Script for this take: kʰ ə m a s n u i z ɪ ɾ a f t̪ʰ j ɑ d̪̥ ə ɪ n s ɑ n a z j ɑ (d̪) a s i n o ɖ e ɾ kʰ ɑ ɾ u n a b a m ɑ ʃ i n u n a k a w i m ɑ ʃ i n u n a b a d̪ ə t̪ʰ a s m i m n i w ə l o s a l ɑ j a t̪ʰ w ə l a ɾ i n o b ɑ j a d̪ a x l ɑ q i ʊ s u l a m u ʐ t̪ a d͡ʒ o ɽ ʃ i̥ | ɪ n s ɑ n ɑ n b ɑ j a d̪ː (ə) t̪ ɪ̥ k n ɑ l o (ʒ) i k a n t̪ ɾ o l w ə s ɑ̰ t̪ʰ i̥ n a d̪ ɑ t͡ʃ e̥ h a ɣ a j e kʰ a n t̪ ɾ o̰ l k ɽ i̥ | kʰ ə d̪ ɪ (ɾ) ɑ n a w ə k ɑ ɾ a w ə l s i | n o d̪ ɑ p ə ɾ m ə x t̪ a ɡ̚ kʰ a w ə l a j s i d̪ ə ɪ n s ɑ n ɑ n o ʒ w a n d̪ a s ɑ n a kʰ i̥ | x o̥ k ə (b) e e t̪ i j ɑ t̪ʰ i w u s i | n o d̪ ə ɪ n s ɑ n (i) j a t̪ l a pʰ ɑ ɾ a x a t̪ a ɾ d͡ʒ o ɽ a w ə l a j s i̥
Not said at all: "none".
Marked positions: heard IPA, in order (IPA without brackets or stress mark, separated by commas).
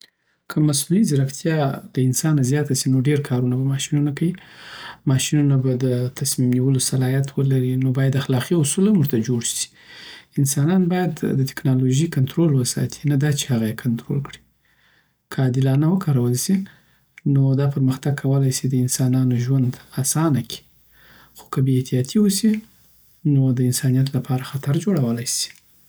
t̪, ə, ʒ, l, b, i